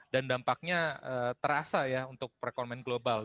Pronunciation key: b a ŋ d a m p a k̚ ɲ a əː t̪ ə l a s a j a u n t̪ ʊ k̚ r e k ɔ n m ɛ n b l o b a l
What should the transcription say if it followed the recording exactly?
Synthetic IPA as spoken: d a n d a m p a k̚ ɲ a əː t̪ ə ɾ a s a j a u n t̪ ʊ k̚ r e k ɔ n m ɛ n ɡ l o b a l